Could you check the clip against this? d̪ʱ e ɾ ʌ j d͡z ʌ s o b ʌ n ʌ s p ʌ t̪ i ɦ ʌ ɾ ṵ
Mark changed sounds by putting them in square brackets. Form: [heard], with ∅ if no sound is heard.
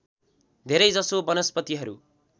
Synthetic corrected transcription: d̪ʱ e ɾ ʌ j d͡z ʌ s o b ʌ n ʌ s p ʌ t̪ i ɦ ʌ ɾ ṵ

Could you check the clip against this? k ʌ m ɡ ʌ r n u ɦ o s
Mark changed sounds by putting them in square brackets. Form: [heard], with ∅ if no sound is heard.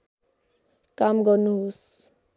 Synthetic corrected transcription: k [a] m ɡ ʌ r n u ɦ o s

